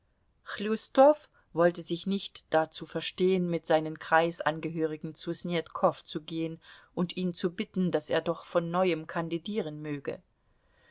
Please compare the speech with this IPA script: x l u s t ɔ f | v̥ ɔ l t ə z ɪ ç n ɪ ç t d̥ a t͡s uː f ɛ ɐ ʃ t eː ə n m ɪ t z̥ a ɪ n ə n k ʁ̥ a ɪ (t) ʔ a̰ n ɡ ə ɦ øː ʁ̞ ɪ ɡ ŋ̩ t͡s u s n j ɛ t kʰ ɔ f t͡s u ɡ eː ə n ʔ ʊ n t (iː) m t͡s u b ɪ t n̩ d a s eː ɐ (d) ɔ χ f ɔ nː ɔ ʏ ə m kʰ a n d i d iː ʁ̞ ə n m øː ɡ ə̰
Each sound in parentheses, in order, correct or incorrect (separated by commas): incorrect, correct, correct